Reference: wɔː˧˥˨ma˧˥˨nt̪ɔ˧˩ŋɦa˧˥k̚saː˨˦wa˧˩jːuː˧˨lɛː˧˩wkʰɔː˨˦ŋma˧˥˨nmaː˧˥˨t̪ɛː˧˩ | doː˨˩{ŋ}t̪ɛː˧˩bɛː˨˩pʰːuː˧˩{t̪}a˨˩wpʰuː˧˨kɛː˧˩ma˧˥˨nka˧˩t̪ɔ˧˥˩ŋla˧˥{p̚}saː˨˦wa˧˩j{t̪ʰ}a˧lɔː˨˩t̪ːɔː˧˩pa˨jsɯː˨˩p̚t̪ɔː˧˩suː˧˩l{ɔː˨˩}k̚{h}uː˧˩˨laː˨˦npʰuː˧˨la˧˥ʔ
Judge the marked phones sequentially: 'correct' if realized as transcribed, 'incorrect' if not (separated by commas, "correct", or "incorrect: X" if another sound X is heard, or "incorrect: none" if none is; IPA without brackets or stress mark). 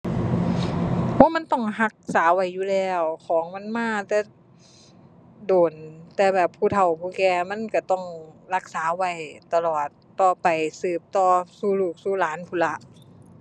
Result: incorrect: n, incorrect: t̪ʰ, incorrect: k̚, incorrect: t̪, incorrect: uː˨˩, incorrect: s